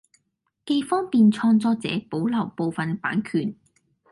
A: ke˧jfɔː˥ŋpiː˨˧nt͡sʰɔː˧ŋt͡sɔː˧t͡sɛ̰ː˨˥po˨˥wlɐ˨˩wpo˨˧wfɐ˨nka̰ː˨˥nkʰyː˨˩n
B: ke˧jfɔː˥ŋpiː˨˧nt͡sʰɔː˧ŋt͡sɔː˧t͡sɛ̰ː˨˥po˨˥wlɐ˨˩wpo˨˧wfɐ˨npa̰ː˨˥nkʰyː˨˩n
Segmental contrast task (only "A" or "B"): B